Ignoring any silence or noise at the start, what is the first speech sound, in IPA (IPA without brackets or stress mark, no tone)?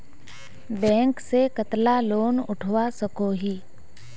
b